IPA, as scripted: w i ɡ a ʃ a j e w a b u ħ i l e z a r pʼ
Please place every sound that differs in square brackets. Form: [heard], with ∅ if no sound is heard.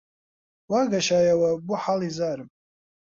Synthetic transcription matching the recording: w [a] ɡ a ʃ a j [a] w a b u ħ [a] l [i] z a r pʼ

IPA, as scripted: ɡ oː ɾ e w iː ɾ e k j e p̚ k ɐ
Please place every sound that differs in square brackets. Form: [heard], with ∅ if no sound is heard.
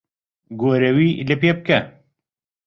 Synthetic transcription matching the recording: ɡ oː ɾ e w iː [l] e [p] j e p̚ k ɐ

